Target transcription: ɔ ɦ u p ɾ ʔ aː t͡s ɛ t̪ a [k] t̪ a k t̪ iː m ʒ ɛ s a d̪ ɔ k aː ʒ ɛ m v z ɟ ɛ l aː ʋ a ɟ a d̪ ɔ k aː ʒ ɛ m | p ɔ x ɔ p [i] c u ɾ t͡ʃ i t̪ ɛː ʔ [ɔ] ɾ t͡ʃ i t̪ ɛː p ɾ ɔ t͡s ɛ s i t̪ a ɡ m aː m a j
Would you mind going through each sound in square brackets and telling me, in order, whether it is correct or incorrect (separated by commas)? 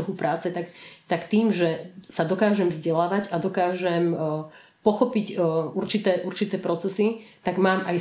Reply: correct, correct, incorrect